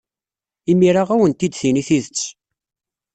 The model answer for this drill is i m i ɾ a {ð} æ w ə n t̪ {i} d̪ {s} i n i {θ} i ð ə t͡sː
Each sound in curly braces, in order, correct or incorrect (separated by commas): incorrect, correct, incorrect, correct